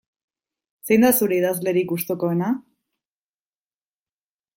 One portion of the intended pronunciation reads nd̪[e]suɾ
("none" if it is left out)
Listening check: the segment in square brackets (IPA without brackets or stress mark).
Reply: a